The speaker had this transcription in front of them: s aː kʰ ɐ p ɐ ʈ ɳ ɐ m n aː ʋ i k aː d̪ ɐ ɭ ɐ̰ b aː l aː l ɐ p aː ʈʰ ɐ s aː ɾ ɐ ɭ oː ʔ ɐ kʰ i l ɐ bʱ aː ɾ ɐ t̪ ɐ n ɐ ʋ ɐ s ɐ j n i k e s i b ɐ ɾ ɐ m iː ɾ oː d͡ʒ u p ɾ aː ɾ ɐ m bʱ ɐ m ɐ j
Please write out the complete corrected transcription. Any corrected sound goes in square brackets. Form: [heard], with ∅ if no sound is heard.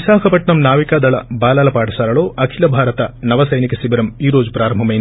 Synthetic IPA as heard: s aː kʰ ɐ p ɐ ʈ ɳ ɐ m n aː ʋ i k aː d̪ ɐ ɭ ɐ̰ b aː l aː l ɐ p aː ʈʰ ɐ s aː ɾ ɐ ɭ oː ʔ ɐ kʰ i l ɐ bʱ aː ɾ ɐ t̪ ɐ n ɐ ʋ ɐ s ɐ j n i k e s i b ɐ ɾ ɐ m iː ɾ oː d͡ʒ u p ɾ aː ɾ ɐ m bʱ ɐ m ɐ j